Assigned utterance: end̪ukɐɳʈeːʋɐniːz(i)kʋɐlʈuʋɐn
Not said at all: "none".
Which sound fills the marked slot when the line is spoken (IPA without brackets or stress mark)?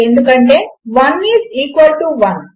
iː